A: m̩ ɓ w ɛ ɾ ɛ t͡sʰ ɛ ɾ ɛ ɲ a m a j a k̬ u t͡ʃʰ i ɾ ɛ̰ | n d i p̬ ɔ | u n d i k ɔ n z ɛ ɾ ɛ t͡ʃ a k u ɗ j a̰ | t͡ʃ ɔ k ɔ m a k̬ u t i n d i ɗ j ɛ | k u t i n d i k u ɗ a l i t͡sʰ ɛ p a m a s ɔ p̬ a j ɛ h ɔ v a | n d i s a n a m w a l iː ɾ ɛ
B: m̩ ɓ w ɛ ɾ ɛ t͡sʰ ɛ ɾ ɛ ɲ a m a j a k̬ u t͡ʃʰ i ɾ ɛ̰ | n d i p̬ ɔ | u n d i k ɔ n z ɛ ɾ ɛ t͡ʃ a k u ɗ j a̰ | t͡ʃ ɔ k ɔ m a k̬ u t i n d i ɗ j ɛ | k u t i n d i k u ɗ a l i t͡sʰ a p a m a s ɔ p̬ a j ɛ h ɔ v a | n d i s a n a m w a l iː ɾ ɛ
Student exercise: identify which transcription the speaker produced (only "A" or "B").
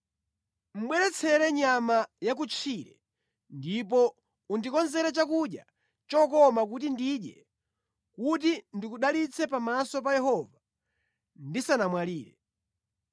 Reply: A